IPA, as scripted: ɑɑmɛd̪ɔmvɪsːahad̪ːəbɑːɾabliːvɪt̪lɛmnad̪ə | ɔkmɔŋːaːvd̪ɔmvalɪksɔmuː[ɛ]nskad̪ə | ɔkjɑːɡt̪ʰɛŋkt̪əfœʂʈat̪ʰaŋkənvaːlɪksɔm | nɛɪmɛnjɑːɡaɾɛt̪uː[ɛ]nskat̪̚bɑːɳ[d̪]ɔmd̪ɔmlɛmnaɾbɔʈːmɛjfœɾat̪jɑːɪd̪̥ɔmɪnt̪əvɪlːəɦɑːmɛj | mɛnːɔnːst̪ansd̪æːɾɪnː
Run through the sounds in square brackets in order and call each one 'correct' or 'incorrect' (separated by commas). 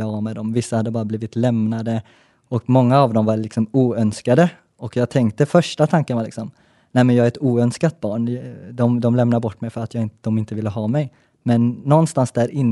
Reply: incorrect, incorrect, correct